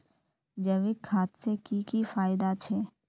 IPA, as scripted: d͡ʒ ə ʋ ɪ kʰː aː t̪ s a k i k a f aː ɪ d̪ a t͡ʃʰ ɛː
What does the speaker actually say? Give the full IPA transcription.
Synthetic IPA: d͡ʒ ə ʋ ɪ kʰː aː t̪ s e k i k i f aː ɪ d̪ a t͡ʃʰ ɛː